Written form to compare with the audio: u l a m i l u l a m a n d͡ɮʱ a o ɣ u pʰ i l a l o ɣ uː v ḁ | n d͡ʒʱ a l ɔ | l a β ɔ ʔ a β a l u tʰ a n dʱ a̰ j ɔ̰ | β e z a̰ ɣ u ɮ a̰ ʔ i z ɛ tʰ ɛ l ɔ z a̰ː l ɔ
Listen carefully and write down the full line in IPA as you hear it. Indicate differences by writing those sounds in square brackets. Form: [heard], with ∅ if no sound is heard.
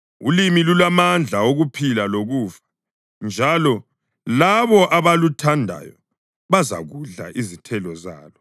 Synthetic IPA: u l [i] m i l u l a m a n d͡ɮʱ a o ɣ u pʰ i l a l o ɣ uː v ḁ | n d͡ʒʱ a l ɔ | l a β ɔ ʔ a β a l u tʰ a n dʱ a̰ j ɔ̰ | β [a] z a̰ ɣ u ɮ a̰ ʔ i z [i] tʰ ɛ l ɔ z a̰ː l ɔ